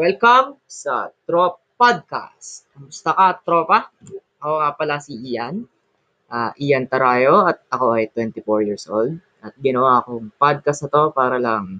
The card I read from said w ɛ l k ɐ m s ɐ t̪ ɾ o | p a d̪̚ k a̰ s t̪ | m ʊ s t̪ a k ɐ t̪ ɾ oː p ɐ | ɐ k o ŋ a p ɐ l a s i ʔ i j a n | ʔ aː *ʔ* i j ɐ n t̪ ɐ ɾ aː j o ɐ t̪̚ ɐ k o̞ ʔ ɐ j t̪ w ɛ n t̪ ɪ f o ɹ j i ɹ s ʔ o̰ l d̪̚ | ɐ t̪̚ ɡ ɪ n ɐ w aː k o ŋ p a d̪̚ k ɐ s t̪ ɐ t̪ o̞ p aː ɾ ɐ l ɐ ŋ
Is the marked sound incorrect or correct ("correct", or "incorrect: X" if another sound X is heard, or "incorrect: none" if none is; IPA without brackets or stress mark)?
correct